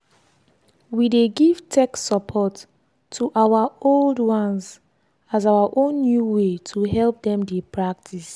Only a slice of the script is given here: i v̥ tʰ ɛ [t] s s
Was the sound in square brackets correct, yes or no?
no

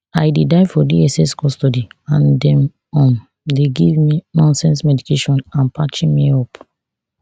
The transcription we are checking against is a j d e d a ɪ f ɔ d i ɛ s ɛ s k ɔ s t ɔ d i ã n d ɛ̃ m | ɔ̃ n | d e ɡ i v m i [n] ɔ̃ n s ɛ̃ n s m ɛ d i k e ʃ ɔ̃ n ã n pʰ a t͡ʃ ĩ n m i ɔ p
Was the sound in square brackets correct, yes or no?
yes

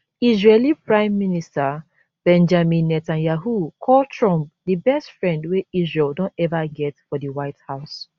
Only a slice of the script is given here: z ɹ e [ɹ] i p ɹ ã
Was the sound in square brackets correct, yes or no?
no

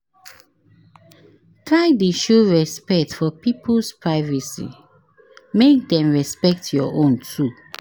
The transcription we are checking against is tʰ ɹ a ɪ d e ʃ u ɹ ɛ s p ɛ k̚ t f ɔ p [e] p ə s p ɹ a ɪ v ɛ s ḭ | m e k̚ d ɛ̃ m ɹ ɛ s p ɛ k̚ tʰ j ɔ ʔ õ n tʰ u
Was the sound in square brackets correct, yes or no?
no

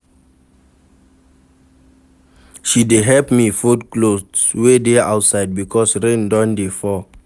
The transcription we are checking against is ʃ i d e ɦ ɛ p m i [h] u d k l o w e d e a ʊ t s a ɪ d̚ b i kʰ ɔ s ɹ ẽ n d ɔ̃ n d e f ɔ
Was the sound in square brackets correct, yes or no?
no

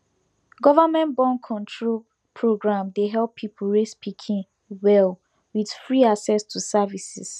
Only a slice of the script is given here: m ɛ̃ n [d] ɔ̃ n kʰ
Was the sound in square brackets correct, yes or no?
no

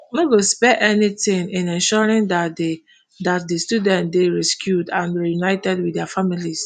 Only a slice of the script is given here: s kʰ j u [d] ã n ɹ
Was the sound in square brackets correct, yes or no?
yes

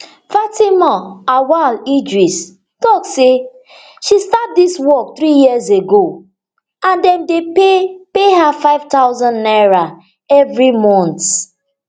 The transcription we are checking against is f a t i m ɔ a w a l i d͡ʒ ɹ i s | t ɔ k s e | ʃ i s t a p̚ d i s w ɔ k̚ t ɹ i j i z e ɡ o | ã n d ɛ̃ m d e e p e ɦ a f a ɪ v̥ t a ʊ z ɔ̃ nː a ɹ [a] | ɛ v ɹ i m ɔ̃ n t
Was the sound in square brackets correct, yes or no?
yes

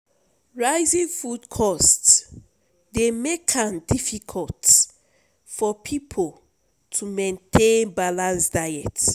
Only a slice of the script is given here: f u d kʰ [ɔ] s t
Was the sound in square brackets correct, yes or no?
yes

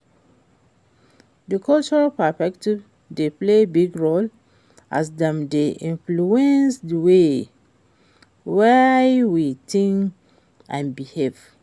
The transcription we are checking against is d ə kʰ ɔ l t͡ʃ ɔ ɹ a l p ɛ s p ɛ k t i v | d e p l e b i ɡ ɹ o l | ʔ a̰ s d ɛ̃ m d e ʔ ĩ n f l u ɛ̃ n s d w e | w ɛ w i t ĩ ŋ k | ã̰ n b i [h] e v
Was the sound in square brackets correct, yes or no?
yes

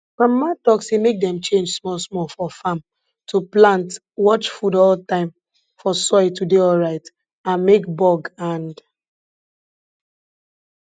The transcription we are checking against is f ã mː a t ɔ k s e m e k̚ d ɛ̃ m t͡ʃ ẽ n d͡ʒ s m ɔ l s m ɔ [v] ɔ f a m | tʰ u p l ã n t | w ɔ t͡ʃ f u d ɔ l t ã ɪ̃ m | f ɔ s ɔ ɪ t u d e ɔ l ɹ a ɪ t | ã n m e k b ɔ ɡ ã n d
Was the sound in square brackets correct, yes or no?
no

